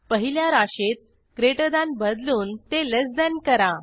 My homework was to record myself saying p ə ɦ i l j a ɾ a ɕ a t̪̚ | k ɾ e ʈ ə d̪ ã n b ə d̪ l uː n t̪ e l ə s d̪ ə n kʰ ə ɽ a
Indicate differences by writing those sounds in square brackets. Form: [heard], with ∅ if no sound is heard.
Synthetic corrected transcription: p ə ɦ i l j a ɾ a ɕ [e] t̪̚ | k ɾ e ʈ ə d̪ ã n b ə d̪ l uː n t̪ e l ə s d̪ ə n [k] ə [ɾ] a